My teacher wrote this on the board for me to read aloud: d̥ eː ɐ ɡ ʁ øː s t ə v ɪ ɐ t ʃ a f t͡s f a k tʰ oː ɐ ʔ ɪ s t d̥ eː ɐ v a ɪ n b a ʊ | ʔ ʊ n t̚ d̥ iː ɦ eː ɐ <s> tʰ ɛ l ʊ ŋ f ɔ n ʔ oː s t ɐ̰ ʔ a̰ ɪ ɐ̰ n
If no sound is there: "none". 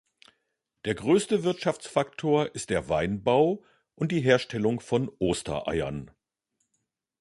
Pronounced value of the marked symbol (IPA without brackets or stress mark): ʃ